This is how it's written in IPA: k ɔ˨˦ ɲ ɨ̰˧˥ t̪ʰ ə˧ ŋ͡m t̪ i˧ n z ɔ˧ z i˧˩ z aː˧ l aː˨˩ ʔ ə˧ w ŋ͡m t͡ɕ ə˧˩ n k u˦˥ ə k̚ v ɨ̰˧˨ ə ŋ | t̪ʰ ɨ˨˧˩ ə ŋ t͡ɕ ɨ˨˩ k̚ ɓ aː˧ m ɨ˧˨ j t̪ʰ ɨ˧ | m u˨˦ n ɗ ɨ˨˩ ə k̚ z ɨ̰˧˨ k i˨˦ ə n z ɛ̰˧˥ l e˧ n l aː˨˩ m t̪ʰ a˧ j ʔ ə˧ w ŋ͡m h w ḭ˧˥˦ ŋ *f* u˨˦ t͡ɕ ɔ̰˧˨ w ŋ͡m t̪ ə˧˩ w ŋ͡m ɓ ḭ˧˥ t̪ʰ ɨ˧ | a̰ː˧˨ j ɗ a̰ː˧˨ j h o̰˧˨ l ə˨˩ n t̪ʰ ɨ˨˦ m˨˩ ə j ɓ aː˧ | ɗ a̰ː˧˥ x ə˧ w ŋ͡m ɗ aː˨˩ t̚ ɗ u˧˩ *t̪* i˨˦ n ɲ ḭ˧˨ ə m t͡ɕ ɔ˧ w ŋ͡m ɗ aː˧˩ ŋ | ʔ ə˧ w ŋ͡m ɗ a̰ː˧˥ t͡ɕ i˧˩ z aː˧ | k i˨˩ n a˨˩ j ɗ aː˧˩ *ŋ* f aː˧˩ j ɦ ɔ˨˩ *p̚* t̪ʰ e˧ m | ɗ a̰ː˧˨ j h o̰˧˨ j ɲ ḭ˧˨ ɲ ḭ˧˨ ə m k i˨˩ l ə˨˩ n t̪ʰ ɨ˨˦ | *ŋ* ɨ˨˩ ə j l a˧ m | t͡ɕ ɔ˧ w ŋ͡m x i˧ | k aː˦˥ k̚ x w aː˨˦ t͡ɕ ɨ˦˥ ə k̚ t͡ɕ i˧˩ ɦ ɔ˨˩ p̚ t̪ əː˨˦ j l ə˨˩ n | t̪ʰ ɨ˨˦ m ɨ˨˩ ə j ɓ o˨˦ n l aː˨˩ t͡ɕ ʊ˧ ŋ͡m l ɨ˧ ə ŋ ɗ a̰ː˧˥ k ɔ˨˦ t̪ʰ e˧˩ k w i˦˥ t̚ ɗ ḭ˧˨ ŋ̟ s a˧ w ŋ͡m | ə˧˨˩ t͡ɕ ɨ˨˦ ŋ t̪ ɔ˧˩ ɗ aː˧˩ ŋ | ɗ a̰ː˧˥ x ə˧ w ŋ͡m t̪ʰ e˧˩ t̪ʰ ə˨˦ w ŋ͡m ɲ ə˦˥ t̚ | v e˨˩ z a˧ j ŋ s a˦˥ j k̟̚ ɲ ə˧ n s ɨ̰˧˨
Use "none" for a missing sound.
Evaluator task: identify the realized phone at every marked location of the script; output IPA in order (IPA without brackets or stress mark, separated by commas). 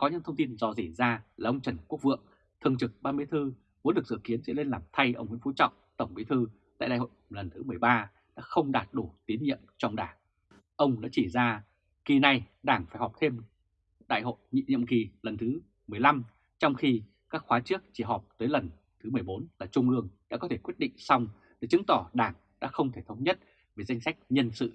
f, t̪, ŋ, p̚, m